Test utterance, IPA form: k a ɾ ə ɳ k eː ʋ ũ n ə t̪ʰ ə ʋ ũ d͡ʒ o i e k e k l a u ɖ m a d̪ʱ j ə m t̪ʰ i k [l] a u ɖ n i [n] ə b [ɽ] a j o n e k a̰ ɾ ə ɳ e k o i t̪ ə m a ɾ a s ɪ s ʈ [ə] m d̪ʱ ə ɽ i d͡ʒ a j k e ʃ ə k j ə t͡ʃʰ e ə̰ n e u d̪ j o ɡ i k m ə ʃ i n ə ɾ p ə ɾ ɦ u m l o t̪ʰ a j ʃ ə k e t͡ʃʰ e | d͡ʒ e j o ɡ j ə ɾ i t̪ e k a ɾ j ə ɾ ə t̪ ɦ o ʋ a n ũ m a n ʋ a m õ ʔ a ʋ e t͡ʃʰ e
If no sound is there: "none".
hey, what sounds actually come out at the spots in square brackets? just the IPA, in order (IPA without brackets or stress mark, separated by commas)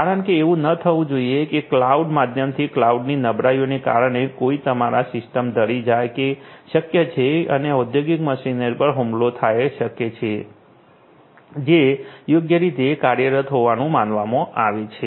l, n, ɾ, ə